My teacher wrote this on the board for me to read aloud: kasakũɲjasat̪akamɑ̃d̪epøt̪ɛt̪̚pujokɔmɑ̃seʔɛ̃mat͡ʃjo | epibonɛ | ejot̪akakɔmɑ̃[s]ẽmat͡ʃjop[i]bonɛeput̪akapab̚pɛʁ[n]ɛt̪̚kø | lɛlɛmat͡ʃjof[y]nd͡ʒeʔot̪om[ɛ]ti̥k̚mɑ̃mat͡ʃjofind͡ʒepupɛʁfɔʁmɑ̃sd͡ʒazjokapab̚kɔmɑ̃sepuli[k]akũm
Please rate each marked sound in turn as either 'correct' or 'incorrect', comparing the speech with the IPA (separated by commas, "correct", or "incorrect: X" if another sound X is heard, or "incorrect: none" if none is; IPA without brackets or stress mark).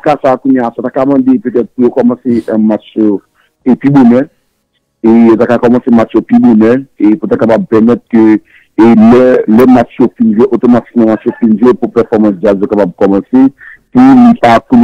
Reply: correct, correct, incorrect: m, incorrect: i, incorrect: a, incorrect: p